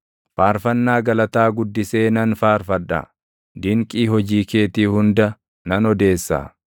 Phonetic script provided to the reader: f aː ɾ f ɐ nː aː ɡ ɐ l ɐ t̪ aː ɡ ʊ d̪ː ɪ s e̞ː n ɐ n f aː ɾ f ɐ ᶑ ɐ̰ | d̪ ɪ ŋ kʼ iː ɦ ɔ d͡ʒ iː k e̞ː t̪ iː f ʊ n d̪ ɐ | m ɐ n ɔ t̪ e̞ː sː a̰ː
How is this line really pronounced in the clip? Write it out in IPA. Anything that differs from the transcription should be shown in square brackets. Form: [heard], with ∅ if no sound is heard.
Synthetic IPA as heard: f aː ɾ f ɐ nː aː ɡ ɐ l ɐ t̪ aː ɡ ʊ d̪ː ɪ s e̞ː n ɐ n f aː ɾ f ɐ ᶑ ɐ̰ | d̪ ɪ ŋ kʼ iː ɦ ɔ d͡ʒ iː k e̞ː t̪ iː [h] ʊ n d̪ ɐ | [n] ɐ n ɔ [d̪] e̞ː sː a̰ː